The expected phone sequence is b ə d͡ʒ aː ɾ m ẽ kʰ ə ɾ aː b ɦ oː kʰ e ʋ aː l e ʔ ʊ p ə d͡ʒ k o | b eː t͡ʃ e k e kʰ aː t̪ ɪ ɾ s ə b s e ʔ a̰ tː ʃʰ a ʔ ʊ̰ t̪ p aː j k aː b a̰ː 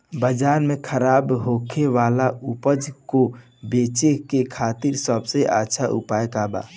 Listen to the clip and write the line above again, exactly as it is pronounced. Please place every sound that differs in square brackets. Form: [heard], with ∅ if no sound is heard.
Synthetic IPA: b ə d͡ʒ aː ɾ m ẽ kʰ ə ɾ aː b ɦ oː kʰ e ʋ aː l [a] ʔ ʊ p ə d͡ʒ k o | b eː t͡ʃ e k e kʰ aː t̪ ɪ ɾ s ə b s e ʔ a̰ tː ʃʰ a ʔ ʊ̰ [∅] p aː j k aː b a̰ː